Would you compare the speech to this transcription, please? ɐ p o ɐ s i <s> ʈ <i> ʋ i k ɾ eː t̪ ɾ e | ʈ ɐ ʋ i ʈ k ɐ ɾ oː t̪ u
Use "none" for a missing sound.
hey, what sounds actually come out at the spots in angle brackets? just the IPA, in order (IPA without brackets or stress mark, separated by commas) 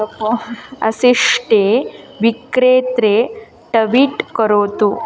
ʂ, e